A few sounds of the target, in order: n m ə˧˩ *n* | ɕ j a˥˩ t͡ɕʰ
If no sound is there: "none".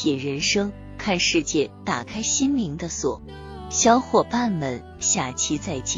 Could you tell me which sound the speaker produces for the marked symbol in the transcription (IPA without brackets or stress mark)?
n